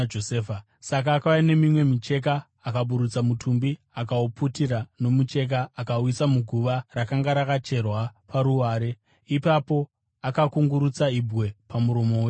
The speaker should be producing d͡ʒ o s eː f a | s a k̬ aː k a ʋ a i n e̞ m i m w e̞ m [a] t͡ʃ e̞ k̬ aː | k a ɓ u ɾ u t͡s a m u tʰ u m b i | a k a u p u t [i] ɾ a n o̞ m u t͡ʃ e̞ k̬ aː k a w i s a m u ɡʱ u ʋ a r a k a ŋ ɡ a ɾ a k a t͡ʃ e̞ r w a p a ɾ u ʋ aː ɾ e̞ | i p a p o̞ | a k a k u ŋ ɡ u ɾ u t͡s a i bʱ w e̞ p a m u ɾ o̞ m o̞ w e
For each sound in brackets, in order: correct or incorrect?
incorrect: i, correct

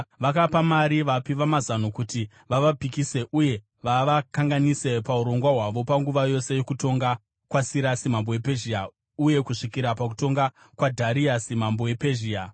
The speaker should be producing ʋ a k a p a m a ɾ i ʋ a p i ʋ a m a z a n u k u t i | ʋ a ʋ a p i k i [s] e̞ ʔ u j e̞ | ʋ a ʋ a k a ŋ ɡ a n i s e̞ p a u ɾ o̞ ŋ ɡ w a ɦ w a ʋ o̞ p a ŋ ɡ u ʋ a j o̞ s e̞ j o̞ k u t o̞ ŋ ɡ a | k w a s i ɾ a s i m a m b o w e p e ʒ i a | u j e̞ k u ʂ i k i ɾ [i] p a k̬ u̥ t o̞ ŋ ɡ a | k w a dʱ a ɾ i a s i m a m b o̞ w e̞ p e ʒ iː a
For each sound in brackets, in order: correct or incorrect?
correct, incorrect: a

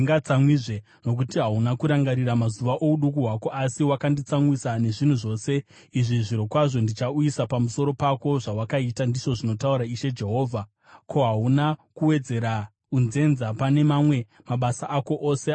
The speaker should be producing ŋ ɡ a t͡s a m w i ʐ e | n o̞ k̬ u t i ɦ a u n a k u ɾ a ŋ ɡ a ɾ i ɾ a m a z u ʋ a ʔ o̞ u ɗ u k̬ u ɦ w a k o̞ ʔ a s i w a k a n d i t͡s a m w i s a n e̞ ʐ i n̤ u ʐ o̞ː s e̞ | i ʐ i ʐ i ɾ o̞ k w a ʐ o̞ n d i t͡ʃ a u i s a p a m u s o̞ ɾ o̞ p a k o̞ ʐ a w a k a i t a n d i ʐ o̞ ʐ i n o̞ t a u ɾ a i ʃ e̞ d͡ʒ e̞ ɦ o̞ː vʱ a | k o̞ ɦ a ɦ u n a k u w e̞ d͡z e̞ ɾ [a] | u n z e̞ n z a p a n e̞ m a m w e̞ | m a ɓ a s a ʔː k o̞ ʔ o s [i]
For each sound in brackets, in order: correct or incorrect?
correct, incorrect: e

